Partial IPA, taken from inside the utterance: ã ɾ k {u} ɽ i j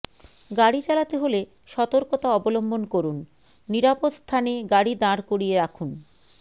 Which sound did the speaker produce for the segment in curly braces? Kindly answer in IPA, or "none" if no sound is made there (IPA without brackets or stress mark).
o